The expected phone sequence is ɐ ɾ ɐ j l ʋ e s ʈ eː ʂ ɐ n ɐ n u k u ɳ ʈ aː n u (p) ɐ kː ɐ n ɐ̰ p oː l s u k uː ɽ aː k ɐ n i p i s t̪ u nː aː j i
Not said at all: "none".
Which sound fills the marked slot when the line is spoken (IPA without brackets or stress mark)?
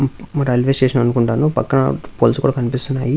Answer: p